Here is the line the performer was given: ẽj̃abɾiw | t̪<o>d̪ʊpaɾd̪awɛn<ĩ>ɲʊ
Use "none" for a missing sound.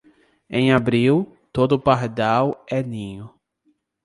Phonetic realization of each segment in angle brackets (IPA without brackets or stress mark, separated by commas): o, ĩ